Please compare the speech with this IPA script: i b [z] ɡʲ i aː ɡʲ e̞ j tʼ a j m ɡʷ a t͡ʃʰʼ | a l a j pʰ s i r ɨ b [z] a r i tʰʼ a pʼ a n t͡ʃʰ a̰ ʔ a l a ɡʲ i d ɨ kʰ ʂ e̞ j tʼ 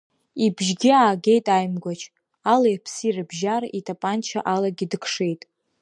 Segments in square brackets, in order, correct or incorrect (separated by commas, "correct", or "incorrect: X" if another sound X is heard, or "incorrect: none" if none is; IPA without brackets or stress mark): incorrect: ʒ, incorrect: ʒ